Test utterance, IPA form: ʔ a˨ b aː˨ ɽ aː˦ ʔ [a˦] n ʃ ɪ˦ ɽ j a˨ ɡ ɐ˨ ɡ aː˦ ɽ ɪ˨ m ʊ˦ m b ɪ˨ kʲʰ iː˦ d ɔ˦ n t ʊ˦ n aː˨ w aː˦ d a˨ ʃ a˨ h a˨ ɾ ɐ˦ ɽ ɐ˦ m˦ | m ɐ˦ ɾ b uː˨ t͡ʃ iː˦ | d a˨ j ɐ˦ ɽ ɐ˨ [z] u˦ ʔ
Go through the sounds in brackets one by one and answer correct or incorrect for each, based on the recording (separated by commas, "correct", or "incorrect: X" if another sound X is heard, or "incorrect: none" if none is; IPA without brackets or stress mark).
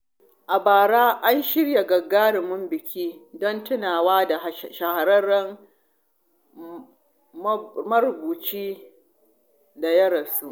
correct, incorrect: s